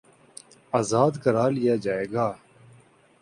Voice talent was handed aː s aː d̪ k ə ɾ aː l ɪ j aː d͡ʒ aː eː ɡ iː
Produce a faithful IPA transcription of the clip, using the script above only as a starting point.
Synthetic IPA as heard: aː z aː d̪ k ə ɾ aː l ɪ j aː d͡ʒ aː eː ɡ aː